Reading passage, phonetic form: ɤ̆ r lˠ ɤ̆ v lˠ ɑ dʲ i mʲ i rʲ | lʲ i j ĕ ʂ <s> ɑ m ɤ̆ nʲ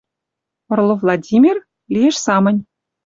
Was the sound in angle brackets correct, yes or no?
yes